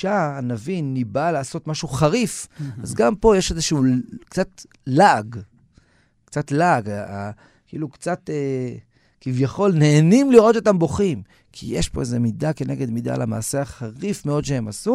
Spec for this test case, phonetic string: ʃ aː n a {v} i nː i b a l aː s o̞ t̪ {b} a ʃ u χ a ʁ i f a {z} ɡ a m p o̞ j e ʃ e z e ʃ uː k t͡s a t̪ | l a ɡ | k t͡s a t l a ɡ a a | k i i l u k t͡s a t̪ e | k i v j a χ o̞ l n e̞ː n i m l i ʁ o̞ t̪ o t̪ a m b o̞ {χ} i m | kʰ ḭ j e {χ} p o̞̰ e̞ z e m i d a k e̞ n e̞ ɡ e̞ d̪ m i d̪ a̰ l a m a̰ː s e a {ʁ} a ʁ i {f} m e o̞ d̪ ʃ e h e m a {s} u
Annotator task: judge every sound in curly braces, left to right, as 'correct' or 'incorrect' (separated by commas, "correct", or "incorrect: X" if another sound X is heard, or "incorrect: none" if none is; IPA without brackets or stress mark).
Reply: correct, incorrect: m, correct, correct, incorrect: ʃ, incorrect: χ, correct, correct